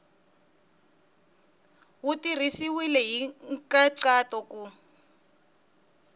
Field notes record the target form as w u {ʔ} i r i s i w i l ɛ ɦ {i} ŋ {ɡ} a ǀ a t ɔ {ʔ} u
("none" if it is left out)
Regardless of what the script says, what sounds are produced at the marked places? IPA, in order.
t, i, k, k

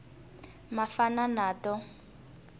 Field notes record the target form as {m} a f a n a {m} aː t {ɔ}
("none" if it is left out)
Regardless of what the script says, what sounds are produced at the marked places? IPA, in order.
m, n, ɔ

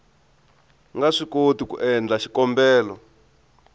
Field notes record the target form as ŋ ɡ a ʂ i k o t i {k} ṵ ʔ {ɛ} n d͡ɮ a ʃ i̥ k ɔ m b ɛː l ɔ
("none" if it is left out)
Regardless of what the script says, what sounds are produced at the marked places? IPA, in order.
k, ɛ

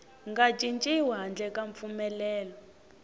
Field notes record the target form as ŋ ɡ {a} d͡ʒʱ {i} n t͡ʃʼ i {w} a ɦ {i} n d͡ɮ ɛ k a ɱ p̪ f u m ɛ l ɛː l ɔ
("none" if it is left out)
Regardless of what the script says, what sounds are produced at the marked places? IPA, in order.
a, i, w, a

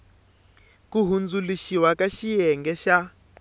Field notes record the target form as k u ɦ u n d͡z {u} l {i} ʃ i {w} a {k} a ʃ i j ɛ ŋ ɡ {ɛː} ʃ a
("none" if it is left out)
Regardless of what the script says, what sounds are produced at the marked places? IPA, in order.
u, i, w, k, ɛ

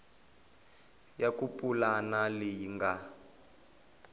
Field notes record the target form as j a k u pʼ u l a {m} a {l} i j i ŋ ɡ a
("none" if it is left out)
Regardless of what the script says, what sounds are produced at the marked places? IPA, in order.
n, l

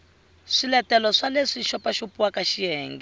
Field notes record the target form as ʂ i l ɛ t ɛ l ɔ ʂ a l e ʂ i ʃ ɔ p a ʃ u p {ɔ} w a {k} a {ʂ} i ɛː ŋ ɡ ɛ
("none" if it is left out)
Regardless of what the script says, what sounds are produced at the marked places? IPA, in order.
u, k, ʃ

